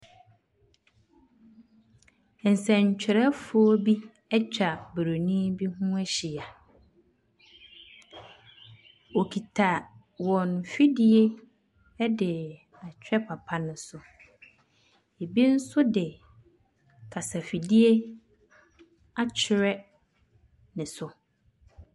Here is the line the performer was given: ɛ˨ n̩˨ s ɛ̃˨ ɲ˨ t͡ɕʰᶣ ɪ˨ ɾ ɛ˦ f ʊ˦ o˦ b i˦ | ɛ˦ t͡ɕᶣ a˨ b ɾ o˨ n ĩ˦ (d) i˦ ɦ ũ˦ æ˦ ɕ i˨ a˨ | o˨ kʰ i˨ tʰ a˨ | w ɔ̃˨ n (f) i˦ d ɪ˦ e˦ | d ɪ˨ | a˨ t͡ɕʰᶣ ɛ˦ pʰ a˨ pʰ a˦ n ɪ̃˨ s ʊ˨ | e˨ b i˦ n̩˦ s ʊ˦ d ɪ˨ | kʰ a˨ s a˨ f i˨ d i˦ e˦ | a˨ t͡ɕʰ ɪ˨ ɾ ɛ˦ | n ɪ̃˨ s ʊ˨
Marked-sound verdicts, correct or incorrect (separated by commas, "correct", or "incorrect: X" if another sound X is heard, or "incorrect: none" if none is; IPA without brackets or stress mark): incorrect: b, correct